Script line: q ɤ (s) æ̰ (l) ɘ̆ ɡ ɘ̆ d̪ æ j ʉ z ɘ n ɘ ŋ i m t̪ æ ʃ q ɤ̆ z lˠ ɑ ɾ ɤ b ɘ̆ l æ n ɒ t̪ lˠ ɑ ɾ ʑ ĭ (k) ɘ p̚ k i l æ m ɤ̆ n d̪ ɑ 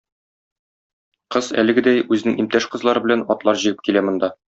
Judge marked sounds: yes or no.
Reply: no, yes, no

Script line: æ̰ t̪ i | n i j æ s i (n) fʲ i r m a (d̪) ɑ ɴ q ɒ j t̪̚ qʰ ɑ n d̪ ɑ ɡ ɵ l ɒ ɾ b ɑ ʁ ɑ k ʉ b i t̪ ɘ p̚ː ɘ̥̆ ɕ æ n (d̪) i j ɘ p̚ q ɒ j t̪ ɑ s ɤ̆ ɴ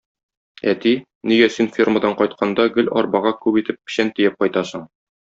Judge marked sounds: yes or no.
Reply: yes, yes, no

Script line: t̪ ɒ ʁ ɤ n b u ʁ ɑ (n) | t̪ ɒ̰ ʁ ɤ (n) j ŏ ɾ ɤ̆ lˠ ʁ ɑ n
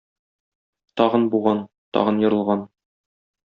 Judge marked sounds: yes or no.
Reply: yes, yes

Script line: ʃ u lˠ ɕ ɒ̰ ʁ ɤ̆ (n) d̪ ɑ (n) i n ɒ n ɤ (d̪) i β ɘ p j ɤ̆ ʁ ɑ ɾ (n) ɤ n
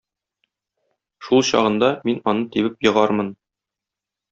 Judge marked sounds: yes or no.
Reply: yes, no, no, no

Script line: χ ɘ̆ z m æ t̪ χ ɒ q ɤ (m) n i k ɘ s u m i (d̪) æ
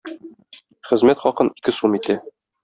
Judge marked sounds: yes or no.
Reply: no, no

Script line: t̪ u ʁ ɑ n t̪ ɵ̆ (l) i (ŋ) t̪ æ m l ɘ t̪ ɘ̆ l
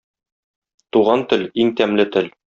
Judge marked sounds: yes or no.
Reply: yes, yes

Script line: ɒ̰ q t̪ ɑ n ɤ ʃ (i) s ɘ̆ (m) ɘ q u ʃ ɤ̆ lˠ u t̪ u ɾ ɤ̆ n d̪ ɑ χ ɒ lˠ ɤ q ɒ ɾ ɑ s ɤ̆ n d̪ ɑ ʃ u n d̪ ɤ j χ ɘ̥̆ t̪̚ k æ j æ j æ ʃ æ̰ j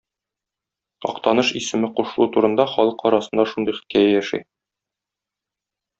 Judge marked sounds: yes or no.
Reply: yes, yes

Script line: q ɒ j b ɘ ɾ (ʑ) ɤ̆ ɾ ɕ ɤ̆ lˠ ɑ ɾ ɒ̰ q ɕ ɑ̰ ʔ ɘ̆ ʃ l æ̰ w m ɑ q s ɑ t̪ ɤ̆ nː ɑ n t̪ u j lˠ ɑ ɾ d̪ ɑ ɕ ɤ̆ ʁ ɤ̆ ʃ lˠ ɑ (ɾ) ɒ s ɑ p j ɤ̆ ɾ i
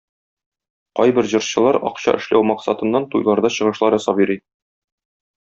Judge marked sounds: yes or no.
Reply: yes, yes

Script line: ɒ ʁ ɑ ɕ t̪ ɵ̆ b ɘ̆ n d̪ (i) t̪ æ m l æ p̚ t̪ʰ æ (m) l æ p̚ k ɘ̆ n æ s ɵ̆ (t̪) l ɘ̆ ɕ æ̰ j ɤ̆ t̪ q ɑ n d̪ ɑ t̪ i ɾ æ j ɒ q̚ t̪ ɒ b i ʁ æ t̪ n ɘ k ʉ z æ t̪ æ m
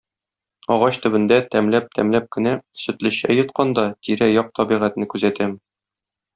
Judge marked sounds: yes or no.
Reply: no, yes, yes

